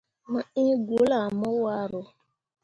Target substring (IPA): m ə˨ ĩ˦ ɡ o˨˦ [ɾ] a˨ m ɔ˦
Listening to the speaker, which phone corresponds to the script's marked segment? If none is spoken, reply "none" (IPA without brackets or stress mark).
l